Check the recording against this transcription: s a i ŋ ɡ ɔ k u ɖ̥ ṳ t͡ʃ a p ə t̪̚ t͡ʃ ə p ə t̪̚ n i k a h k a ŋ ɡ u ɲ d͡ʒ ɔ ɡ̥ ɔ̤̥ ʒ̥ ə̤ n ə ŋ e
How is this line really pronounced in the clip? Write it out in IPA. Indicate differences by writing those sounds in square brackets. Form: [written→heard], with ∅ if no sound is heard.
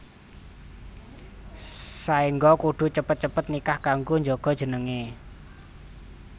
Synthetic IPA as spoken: s a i ŋ ɡ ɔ k u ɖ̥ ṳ t͡ʃ [a→ə] p ə t̪̚ t͡ʃ ə p ə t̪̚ n i k a h k a ŋ ɡ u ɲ d͡ʒ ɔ ɡ̥ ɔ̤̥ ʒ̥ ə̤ n ə ŋ e